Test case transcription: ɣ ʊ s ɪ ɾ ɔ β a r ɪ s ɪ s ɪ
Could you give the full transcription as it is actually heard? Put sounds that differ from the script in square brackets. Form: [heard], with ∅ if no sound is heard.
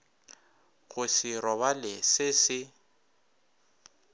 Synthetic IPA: ɣ ʊ s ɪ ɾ ɔ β a [l] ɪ s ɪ s ɪ